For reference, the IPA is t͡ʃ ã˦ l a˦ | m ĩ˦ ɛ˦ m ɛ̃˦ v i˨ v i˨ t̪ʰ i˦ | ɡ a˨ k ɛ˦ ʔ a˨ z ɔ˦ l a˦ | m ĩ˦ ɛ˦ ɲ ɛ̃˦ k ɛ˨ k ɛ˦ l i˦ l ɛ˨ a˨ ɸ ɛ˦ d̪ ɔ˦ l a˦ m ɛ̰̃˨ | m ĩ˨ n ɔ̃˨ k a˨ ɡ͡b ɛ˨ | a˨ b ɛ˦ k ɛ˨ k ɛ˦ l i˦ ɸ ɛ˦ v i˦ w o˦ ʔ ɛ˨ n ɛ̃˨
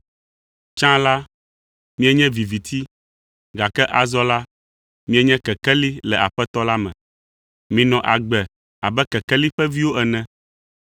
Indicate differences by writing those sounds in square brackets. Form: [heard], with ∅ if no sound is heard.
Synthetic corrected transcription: t͡ʃ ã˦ l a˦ | m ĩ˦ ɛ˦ [ɲ] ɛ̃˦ v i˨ v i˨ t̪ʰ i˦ | ɡ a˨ k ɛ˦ ʔ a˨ z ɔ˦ l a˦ | m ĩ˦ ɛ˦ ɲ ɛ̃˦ k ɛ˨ k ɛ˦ l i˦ l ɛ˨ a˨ ɸ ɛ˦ [t̪] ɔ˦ l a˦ m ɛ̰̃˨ | m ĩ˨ n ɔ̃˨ [ʔ] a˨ ɡ͡b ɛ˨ | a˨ b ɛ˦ k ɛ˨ k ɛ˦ l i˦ ɸ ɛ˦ v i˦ w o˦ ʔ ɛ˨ n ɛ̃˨